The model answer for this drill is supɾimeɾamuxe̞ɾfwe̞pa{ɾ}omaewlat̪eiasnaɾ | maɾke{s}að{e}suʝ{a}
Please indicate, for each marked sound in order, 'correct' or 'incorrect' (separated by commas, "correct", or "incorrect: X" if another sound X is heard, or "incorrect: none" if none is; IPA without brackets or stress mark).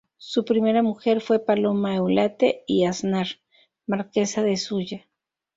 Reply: incorrect: l, correct, correct, correct